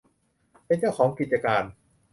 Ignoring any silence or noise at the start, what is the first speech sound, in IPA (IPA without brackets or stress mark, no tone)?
p